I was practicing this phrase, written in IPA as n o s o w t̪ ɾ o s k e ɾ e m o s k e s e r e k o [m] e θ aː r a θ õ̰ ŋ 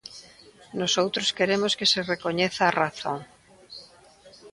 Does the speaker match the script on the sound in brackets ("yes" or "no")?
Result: no